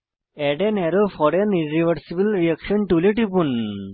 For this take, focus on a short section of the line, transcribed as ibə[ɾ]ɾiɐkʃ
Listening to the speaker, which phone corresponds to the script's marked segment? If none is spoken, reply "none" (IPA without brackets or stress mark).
l